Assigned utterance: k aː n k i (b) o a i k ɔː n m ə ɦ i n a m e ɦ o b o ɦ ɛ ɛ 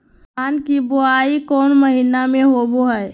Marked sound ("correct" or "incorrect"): correct